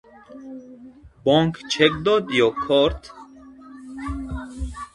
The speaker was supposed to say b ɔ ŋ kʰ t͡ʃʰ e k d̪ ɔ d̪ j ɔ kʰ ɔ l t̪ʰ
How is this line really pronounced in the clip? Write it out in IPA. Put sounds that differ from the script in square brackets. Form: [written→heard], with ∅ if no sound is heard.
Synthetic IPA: b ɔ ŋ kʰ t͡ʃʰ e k d̪ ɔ d̪ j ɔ kʰ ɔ [l→ɾ] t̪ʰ